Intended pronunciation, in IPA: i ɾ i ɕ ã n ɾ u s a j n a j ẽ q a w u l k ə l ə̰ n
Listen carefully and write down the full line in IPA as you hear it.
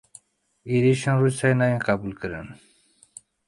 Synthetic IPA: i ɾ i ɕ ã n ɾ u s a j n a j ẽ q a b u l k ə ɾ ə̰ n